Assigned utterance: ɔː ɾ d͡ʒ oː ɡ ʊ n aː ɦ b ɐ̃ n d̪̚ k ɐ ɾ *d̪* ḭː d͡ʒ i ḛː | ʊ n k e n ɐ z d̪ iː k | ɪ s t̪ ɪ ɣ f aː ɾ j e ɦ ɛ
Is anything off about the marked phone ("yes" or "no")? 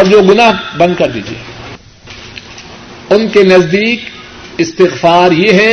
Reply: no